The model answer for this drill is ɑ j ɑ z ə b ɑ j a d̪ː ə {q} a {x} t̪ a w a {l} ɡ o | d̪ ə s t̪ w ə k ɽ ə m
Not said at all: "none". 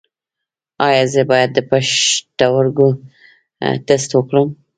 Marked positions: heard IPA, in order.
p, ʃ, ɾ

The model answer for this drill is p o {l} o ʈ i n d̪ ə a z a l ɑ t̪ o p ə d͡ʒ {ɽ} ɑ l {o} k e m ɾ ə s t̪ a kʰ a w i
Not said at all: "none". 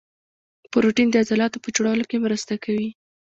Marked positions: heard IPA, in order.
ɾ, ɽ, o

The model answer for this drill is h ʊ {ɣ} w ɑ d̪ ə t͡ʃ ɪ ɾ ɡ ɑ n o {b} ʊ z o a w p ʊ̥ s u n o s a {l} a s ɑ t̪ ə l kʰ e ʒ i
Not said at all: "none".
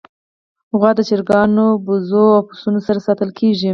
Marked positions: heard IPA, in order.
ɣ, b, ɾ

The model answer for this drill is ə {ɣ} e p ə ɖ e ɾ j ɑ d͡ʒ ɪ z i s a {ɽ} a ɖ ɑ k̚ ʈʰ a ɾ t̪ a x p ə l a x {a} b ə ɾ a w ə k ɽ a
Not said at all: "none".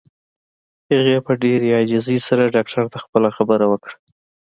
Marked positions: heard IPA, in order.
ɣ, ɾ, a

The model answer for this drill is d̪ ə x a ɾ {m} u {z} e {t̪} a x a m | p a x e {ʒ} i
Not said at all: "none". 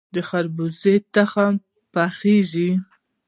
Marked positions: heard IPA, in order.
b, z, t̪, ʒ

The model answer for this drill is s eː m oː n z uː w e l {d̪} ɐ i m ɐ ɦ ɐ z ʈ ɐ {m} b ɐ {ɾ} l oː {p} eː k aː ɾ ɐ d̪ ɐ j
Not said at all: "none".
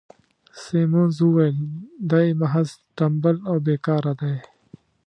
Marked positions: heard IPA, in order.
d̪, m, none, b

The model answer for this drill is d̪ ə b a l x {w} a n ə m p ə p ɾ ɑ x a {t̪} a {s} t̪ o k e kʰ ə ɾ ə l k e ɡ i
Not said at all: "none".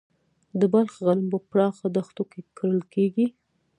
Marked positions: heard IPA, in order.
ɣ, d̪, x

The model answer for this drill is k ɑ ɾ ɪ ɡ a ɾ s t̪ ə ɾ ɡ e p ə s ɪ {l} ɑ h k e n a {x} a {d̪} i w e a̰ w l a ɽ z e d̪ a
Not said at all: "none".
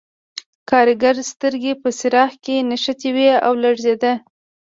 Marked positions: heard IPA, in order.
ɾ, ʃ, t̪

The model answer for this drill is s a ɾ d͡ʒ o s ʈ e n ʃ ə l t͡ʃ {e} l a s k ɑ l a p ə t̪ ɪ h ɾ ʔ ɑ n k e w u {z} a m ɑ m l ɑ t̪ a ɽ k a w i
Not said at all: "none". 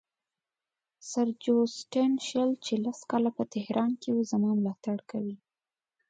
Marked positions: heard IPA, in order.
e, z

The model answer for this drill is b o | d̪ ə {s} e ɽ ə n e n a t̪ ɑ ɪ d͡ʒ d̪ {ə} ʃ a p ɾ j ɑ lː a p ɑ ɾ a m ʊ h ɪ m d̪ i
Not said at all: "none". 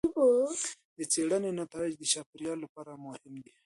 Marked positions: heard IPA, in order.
t͡s, ə

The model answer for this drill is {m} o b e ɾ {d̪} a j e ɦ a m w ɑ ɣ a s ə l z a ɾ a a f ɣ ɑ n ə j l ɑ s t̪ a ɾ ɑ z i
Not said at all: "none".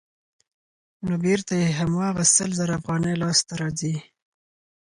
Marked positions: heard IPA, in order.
n, t̪

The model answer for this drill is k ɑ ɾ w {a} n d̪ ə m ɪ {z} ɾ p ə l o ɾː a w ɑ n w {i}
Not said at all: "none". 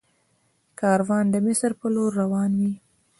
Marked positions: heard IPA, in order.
ɑ, s, i

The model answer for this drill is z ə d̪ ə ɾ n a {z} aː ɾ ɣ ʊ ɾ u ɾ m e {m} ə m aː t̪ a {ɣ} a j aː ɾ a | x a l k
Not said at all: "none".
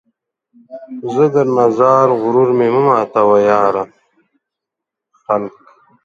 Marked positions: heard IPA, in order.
z, m, w

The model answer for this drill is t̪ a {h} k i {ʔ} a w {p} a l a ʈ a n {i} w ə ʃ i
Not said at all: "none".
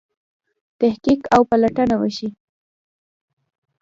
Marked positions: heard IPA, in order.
h, k, p, a

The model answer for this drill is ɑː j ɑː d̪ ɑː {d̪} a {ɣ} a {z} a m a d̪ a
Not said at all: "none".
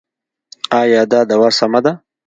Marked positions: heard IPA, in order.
d̪, w, s

